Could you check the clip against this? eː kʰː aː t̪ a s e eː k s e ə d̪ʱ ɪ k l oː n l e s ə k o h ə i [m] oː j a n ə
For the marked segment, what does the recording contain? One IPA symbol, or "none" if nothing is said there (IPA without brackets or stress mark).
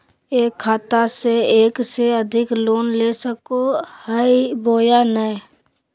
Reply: b